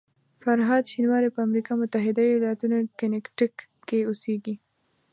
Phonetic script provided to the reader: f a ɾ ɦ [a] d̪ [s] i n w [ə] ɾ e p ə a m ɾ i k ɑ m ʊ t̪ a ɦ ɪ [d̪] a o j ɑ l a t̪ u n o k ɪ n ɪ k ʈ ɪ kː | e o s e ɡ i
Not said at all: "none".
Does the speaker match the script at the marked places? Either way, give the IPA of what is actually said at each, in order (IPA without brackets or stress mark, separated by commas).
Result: ɑ, ʃ, ɑ, d̪